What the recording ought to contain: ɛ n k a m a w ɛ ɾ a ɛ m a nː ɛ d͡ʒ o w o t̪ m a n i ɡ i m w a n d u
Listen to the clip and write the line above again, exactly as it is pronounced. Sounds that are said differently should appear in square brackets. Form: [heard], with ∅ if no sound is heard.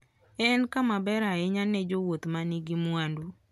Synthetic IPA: ɛ n k a m a [b] ɛ ɾ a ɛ [ɲ] a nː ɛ d͡ʒ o w o t̪ m a n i ɡ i m w a n d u